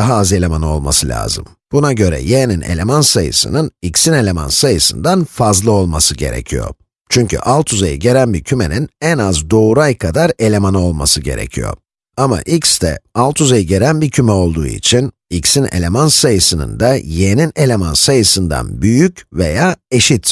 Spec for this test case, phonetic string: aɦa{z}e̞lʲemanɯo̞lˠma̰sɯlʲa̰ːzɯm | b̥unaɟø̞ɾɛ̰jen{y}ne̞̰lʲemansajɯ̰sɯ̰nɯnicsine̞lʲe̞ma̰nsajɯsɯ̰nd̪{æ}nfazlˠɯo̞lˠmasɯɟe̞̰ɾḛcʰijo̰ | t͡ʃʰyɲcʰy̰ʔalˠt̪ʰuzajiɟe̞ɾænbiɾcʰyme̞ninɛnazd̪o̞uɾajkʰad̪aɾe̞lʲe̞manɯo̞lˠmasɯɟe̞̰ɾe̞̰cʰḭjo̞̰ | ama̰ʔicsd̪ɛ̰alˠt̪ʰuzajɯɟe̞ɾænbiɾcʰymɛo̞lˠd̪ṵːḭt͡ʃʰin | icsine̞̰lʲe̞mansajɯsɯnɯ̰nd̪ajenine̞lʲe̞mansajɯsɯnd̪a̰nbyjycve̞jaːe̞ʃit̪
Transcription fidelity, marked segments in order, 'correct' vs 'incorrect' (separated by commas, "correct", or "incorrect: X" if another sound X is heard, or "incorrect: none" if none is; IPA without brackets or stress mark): correct, incorrect: i, incorrect: a